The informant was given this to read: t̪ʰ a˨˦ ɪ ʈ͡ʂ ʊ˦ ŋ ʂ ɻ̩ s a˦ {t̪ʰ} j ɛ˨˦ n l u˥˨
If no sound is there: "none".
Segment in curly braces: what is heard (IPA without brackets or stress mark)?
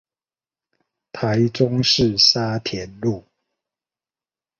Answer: t̪ʰ